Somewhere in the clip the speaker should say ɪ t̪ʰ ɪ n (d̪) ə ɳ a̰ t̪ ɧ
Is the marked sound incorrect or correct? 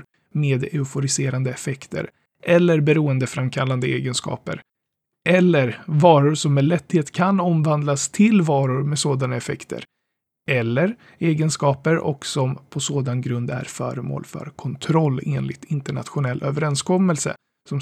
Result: incorrect